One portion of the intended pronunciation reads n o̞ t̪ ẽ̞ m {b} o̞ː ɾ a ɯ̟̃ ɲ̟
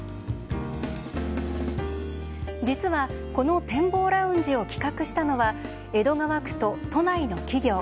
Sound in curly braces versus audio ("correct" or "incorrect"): correct